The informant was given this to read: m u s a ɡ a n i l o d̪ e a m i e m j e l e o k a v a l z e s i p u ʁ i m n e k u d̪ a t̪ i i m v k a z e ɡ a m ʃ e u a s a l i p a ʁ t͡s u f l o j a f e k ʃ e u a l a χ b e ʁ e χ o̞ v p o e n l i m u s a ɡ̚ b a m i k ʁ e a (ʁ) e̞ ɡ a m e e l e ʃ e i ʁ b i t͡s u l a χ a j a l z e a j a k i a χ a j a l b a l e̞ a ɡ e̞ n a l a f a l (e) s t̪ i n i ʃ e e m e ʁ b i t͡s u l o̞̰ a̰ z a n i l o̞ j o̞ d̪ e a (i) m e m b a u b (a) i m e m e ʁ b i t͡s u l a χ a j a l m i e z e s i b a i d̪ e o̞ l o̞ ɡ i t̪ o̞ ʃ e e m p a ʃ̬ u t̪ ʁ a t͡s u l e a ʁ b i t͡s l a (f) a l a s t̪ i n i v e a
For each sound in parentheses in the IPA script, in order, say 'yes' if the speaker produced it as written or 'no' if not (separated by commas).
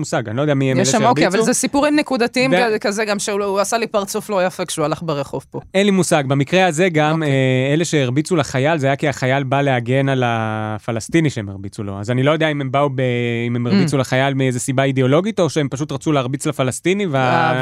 no, no, yes, no, yes